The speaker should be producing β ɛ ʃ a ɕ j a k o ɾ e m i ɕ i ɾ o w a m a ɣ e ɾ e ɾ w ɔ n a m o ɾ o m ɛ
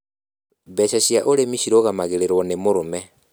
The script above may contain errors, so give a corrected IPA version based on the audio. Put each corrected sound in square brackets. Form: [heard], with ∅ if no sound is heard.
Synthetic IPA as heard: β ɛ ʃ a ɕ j a [ʔ] o ɾ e m i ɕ i ɾ o [ɣ] a m a ɣ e ɾ e ɾ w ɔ n [e] m o ɾ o m ɛ